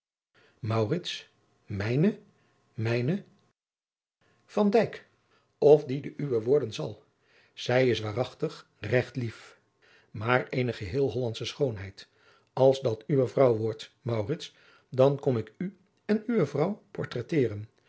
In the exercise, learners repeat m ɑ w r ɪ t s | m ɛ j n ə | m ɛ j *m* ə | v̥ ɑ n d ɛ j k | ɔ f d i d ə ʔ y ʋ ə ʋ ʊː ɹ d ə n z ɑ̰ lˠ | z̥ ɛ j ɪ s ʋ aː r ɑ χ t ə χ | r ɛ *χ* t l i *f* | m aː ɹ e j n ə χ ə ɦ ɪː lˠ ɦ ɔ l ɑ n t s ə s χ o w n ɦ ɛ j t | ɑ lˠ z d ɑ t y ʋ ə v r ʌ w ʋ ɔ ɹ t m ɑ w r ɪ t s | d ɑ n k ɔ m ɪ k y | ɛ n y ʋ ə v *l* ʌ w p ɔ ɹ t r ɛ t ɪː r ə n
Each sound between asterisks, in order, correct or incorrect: incorrect, correct, correct, incorrect

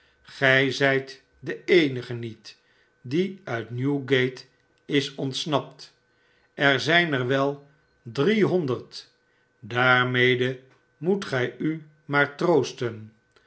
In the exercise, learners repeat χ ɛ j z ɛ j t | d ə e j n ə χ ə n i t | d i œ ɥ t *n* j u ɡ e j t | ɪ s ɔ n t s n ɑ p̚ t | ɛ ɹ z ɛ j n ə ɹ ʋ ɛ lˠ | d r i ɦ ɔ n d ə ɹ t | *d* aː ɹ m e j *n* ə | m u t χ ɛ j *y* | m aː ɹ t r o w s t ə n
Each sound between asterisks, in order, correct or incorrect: correct, correct, incorrect, correct

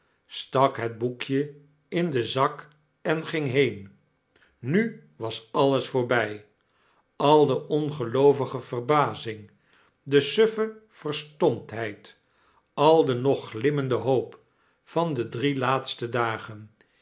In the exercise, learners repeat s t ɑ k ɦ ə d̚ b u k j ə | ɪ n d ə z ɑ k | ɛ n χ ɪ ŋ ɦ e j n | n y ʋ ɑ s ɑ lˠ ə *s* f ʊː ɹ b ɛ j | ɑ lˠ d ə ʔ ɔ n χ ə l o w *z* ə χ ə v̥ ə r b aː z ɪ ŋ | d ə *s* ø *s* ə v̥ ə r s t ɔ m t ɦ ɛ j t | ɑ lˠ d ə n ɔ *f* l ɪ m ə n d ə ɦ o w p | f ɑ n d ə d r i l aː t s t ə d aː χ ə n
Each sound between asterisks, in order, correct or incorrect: correct, incorrect, correct, incorrect, incorrect

